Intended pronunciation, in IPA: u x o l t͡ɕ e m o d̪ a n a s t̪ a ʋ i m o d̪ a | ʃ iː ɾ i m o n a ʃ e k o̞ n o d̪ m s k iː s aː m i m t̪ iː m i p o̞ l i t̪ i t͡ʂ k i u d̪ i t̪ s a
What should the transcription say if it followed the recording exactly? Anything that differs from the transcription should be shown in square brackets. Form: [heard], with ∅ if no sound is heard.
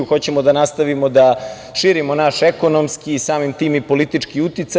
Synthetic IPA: u x o [∅] t͡ɕ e m o d̪ a n a s t̪ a ʋ i m o d̪ a | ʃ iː ɾ i m o n a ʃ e k o̞ n o [∅] m s k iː s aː m i m t̪ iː m i p o̞ l i t̪ i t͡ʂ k i u [t̪] i t̪ s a